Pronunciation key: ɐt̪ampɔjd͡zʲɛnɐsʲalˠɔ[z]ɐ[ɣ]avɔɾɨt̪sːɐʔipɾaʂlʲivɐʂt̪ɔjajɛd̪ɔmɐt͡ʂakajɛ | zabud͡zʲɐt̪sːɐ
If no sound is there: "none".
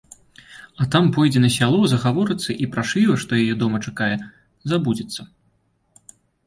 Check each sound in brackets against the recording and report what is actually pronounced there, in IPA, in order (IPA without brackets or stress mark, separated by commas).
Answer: z, ɣ